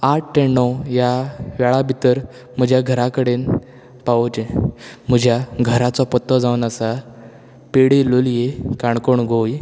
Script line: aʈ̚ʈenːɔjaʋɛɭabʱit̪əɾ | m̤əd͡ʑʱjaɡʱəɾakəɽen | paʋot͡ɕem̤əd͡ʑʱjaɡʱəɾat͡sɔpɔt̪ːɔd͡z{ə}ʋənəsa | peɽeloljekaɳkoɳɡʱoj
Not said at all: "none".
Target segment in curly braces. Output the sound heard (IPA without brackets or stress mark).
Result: a